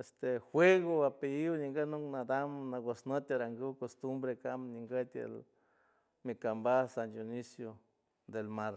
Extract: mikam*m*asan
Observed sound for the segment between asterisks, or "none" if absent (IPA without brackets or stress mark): b